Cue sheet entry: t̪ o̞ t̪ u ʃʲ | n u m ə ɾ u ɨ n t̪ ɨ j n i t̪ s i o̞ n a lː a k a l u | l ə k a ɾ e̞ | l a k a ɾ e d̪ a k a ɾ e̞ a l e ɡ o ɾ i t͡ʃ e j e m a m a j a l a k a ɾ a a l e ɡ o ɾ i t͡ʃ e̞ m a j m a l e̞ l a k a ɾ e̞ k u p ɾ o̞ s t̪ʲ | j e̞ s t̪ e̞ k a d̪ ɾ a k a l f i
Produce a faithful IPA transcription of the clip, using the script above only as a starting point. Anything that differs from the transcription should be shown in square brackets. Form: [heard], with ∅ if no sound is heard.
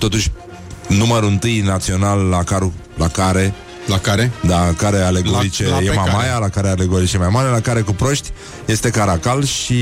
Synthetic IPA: t̪ o̞ t̪ u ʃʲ | n u m ə ɾ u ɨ n t̪ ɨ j n [a] t̪ s i o̞ n a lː a k a [ɾ] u | l [a] k a ɾ e̞ | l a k a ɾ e d̪ a k a ɾ e̞ a l e ɡ o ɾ i t͡ʃ e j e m a m a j a l a k a ɾ [e] a l e ɡ o ɾ i t͡ʃ e̞ m a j m a [ɾ] e̞ l a k a ɾ e̞ k u p ɾ o̞ [ʃ] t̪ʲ | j e̞ s t̪ e̞ k a [∅] ɾ a k a l [ʃ] i